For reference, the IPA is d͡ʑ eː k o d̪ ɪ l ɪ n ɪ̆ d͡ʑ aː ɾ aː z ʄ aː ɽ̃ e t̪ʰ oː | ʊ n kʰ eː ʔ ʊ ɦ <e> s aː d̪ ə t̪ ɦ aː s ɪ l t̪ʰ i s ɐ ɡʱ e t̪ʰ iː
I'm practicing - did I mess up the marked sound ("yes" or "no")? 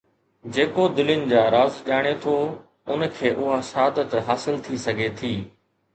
yes